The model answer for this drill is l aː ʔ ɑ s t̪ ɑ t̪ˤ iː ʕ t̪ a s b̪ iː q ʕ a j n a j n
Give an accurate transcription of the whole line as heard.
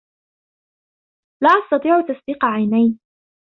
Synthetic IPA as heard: l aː ʔ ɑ s t̪ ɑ t̪ˤ iː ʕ t̪ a s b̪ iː q ʕ a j n a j n